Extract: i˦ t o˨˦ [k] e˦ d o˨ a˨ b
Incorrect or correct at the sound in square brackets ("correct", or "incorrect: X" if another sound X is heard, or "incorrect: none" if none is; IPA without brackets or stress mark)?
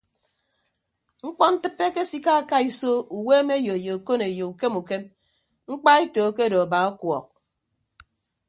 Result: correct